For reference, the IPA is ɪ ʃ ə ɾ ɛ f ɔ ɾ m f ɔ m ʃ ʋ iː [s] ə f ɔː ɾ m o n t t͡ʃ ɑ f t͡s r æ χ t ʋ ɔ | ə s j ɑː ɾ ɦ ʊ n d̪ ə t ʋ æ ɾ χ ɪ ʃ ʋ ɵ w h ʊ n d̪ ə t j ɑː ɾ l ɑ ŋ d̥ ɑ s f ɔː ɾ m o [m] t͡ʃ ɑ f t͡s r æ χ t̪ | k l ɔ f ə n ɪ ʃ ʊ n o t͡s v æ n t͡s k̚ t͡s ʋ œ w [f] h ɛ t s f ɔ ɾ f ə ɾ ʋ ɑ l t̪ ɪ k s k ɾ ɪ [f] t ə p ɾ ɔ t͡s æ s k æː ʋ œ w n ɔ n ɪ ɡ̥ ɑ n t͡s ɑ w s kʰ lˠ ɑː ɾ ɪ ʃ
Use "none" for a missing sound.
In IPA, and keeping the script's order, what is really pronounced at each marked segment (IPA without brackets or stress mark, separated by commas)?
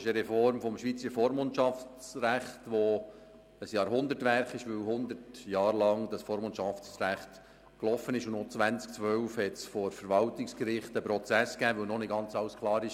t͡s, n, f, χ